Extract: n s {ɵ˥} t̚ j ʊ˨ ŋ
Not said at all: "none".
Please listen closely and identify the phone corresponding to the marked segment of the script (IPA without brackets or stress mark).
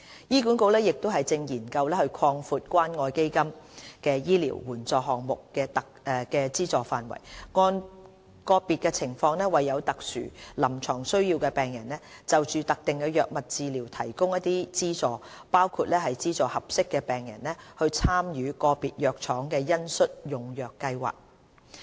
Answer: ɵ˥